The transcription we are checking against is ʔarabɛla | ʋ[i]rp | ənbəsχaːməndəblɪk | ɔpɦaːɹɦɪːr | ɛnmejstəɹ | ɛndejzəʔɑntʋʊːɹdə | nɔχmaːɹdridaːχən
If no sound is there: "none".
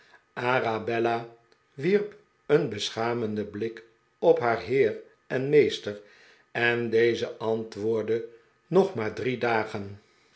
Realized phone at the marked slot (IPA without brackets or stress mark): i